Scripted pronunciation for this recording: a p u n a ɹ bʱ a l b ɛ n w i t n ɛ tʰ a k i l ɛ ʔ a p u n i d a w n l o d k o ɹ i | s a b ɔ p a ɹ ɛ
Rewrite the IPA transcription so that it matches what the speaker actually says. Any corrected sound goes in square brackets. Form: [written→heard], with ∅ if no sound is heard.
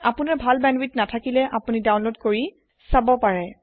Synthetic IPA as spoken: a p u n a ɹ bʱ a l b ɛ n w i t n [ɛ→a] tʰ a k i l ɛ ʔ a p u n i d a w n l o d k o ɹ i | s a b ɔ p a ɹ ɛ